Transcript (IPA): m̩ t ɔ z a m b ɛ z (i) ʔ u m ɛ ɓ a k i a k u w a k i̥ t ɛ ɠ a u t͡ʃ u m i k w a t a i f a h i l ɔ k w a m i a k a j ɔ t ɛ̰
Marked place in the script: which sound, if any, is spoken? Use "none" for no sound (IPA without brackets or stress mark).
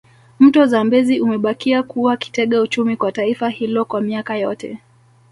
i